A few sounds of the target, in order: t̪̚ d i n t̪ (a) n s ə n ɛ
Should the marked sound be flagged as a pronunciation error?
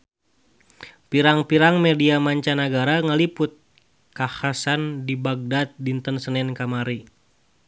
yes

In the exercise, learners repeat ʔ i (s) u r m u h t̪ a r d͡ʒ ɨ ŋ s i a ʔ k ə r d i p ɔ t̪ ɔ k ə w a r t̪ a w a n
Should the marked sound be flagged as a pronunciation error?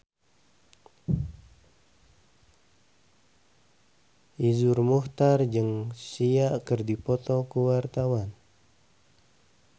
yes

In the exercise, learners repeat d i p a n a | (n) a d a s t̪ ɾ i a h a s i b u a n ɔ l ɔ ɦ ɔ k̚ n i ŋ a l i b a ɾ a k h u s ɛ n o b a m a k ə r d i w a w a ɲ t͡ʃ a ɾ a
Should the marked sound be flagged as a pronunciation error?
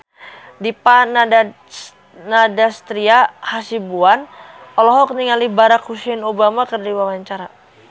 no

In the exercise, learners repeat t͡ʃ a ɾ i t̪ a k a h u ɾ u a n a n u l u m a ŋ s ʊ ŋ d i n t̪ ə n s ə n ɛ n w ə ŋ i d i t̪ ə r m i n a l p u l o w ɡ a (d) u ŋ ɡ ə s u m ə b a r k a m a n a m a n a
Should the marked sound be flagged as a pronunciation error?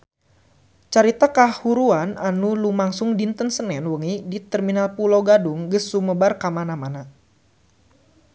no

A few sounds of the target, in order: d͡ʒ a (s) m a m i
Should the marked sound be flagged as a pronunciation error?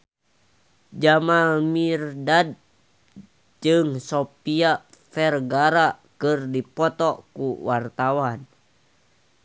yes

